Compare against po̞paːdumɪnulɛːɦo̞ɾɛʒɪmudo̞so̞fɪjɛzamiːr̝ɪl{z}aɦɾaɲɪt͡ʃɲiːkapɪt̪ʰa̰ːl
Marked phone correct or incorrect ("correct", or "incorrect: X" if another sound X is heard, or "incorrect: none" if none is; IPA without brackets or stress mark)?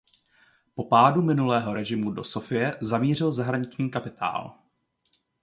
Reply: correct